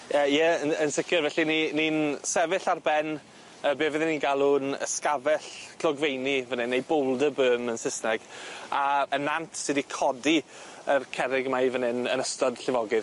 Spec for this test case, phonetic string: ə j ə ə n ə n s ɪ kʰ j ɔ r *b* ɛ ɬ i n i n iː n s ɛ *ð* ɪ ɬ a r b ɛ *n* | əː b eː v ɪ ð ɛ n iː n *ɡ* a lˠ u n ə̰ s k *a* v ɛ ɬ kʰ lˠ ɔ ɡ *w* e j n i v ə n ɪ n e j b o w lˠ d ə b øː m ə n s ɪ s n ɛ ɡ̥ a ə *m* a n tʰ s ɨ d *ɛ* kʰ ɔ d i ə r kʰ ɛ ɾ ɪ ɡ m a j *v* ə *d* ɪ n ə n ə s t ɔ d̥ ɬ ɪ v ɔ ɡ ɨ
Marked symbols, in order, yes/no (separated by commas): no, no, yes, yes, yes, no, no, no, yes, no